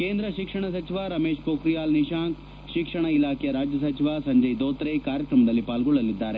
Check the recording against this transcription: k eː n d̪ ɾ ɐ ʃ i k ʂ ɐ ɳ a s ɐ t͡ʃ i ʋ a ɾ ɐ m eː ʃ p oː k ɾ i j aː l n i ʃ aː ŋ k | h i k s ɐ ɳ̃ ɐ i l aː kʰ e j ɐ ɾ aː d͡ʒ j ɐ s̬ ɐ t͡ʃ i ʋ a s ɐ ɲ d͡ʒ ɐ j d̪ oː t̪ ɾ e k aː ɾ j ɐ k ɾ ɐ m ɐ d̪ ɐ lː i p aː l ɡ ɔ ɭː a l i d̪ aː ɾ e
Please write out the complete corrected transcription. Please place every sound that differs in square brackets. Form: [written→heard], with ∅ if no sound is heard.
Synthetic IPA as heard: k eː n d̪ ɾ ɐ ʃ i k ʂ ɐ ɳ [a→ɐ] s ɐ t͡ʃ i ʋ a ɾ ɐ m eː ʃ p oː k ɾ i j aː l n i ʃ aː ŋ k | [h→ʃ] i k [s→ʂ] ɐ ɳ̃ ɐ i l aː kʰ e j ɐ ɾ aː d͡ʒ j ɐ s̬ ɐ t͡ʃ i ʋ a s ɐ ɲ d͡ʒ ɐ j d̪ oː t̪ ɾ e k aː ɾ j ɐ k ɾ ɐ m ɐ d̪ ɐ lː i p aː l ɡ ɔ ɭː [a→ɐ] l i [d̪→d̪ː] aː ɾ e